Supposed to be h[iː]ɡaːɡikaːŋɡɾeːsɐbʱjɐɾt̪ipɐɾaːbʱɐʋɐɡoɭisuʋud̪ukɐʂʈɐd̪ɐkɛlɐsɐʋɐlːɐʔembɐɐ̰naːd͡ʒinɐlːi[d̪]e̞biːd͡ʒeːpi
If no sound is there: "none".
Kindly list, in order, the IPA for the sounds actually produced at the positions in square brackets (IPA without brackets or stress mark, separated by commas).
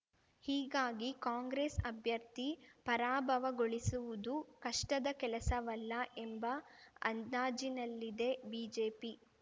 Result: iː, d̪